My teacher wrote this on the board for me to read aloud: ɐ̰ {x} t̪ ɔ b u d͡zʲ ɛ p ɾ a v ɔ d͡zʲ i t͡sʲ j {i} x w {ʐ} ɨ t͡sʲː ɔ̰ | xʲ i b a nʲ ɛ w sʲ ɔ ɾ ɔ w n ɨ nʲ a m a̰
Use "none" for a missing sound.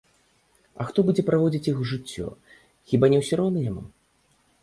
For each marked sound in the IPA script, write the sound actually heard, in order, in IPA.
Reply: x, i, ʐ

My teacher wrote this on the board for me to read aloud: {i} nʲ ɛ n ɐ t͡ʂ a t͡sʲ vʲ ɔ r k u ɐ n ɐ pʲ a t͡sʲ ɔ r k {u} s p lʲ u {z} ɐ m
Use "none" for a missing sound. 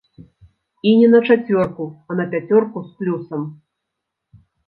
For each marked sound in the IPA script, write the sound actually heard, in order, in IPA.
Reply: i, u, s

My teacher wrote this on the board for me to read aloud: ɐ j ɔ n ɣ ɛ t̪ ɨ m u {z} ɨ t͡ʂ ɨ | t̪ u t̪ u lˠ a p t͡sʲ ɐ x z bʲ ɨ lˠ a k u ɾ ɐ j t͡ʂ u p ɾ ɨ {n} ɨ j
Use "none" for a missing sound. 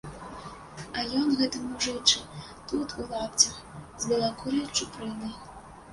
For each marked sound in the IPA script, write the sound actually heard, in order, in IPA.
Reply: ʐ, n

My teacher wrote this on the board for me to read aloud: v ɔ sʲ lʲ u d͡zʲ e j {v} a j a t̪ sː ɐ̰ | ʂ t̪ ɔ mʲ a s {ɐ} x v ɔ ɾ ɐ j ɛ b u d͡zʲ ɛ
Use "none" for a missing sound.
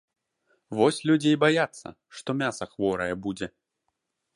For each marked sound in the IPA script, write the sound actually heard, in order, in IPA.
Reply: b, ɐ

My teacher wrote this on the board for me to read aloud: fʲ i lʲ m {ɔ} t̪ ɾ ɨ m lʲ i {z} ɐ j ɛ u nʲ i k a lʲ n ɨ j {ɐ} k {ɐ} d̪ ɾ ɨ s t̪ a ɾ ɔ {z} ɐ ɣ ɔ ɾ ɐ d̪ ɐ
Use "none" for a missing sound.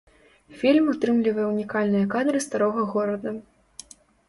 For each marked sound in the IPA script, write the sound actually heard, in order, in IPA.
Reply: u, v, ɐ, a, ɣ

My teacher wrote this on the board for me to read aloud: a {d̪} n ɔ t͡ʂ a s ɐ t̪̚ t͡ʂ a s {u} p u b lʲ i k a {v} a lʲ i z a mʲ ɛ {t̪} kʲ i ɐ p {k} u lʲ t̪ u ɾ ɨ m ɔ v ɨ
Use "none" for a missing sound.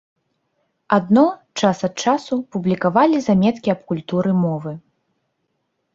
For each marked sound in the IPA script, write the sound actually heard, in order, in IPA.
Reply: d̪, u, v, t̪, k

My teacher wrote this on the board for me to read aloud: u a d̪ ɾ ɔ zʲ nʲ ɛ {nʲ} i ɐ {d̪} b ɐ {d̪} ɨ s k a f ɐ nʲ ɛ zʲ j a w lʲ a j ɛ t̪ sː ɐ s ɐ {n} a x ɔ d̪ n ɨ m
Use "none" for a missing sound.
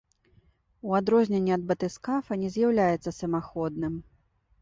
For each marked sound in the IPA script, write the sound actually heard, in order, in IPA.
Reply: nʲː, d̪, t̪, m

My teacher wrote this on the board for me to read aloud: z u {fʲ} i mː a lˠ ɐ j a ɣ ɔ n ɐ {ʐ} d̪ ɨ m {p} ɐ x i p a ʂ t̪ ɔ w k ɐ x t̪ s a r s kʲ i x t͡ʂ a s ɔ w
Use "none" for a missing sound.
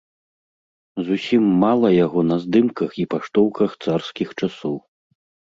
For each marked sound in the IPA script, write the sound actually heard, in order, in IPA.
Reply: sʲ, z, k

